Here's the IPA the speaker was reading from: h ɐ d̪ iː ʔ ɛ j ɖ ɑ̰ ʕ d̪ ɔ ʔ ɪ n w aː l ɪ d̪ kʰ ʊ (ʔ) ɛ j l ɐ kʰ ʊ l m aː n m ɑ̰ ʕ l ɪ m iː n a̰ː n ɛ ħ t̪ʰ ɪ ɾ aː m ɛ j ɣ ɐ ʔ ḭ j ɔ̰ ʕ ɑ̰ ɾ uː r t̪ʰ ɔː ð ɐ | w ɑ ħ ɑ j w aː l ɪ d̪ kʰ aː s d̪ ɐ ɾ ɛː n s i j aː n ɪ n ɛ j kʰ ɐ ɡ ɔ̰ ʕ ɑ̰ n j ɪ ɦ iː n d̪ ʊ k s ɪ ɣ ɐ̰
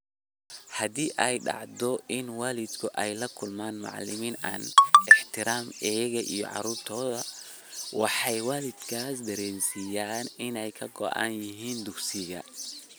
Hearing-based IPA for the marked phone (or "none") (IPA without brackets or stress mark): ʔ